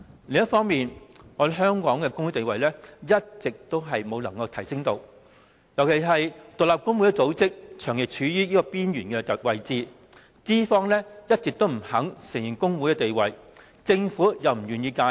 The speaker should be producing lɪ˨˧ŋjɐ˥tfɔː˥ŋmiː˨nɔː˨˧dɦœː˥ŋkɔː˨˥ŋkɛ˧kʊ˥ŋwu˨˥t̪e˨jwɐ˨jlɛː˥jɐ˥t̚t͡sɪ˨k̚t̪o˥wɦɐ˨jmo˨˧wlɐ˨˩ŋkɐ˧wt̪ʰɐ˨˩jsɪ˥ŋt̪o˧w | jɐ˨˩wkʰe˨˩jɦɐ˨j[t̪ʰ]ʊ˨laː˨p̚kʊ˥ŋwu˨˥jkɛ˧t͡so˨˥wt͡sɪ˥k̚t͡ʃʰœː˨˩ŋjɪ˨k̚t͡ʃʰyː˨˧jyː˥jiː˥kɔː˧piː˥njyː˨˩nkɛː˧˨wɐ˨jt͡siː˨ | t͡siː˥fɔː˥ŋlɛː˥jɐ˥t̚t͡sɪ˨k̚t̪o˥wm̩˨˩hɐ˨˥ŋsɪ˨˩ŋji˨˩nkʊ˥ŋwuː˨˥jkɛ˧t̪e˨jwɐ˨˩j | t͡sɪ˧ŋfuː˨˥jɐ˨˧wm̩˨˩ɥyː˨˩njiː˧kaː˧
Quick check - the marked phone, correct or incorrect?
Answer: incorrect: t̪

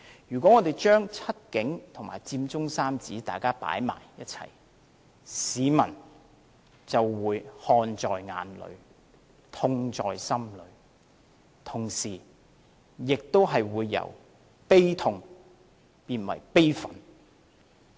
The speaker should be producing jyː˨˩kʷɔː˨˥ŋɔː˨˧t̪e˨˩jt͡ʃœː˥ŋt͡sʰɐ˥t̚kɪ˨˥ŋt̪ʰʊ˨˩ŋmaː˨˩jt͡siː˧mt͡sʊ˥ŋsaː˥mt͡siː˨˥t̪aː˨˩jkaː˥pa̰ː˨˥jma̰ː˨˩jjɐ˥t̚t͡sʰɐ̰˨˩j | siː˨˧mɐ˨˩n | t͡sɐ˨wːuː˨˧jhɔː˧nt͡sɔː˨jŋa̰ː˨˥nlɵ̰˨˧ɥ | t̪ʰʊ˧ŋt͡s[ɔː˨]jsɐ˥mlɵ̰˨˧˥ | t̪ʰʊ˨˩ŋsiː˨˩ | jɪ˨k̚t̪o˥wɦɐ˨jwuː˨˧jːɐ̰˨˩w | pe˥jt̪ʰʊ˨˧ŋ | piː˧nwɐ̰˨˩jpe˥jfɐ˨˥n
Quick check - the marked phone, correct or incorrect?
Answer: correct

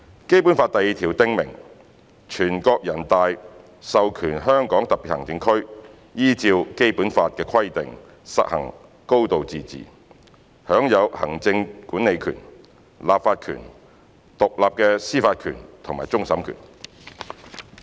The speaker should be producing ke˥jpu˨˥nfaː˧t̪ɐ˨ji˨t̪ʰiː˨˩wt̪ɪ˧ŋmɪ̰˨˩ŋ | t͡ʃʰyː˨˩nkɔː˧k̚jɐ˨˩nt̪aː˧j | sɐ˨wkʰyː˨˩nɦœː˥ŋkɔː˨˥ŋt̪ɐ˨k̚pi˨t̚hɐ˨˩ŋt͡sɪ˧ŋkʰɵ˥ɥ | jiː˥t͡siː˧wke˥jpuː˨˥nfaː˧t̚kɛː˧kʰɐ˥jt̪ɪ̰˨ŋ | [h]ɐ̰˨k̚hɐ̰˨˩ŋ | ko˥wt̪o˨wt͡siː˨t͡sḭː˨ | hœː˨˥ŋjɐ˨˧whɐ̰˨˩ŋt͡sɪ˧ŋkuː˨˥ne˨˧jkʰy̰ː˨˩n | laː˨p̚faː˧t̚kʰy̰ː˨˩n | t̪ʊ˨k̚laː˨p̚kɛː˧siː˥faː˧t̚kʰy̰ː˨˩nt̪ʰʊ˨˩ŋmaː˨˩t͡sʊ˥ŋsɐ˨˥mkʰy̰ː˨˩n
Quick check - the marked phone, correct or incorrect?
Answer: incorrect: s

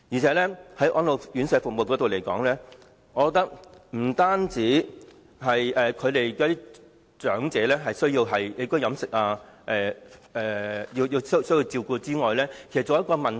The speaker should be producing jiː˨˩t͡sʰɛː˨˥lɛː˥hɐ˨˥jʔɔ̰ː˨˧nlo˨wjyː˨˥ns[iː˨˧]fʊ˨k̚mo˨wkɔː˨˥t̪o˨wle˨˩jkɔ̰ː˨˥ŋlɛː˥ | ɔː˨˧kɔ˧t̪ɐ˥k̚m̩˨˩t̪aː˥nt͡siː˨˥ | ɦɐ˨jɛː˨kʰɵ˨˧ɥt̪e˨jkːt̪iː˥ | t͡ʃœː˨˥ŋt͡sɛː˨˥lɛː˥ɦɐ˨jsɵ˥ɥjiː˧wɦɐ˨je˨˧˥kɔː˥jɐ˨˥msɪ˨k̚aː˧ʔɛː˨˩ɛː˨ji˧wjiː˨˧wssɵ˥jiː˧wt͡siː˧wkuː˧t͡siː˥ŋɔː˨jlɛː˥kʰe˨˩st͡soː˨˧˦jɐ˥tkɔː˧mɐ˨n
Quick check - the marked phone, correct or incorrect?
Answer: incorrect: ɛː˨˧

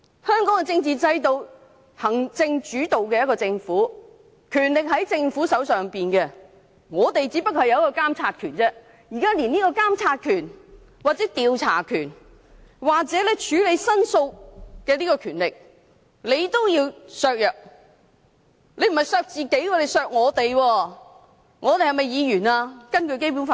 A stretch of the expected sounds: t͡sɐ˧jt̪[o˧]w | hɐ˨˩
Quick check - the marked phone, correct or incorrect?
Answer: correct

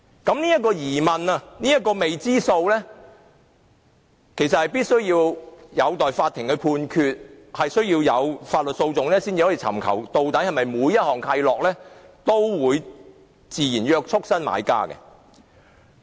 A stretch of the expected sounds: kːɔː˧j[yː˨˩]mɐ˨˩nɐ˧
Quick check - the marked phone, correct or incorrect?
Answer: incorrect: iː˨˩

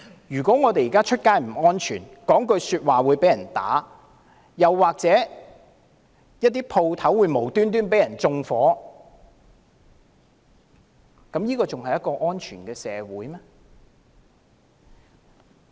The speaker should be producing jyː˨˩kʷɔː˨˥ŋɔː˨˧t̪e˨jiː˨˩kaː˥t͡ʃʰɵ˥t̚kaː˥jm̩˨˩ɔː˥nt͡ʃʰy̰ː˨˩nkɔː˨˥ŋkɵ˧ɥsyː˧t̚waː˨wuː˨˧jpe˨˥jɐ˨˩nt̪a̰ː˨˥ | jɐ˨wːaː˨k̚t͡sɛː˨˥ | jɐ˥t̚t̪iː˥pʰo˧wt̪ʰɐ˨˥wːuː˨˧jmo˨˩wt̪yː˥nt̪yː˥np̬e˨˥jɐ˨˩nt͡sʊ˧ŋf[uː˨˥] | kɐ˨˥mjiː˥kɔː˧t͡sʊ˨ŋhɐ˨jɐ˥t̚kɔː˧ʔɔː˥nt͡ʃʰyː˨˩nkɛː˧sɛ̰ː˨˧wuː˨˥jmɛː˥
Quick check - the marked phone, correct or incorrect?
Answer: incorrect: ɔː˨˥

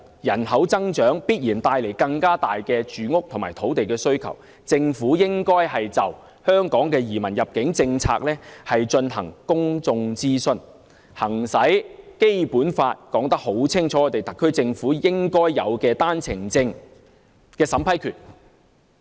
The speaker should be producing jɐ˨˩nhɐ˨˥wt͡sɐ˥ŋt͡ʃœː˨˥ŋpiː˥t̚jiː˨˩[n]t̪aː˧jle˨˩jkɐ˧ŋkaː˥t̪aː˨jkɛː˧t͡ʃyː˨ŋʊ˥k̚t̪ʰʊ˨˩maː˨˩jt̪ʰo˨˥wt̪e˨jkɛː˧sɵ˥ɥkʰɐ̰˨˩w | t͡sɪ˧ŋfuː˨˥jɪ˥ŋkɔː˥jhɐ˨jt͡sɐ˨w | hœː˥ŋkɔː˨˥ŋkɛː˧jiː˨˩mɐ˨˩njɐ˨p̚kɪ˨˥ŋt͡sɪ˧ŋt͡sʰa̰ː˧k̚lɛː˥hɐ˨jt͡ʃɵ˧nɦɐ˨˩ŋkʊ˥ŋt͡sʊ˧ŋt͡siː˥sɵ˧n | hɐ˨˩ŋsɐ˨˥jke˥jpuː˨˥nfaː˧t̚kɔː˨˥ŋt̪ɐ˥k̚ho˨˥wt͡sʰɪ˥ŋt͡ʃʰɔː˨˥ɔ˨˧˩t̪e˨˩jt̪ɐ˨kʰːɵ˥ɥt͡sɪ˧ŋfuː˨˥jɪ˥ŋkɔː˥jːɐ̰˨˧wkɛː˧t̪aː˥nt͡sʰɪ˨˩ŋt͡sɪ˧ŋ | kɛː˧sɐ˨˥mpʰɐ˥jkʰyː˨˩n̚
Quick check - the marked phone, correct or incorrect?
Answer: correct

